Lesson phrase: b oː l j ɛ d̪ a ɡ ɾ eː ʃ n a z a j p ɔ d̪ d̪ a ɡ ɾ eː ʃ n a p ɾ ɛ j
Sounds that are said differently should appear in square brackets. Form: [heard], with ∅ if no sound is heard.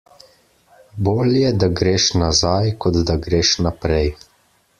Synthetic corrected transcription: b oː l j ɛ d̪ a ɡ ɾ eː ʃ n a z a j [k] ɔ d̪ d̪ a ɡ ɾ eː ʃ n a p ɾ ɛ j